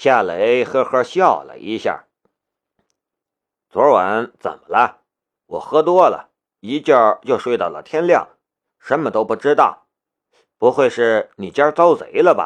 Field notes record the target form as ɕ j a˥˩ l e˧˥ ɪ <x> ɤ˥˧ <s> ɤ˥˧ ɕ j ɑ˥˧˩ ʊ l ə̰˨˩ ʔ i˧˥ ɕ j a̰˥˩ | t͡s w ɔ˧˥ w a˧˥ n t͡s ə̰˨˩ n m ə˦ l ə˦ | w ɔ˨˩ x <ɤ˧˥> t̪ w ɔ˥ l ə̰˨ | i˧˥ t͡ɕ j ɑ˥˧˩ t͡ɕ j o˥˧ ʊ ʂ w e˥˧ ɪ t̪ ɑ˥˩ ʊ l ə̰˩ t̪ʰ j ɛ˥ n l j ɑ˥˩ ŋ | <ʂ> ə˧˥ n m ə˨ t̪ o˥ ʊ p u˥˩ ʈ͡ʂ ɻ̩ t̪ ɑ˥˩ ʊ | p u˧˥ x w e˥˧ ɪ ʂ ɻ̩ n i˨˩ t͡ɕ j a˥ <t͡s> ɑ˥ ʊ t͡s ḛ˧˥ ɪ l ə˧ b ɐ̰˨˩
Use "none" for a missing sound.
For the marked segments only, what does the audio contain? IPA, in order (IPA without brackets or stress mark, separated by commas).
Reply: x, x, ɤ˥, ʂ, t͡s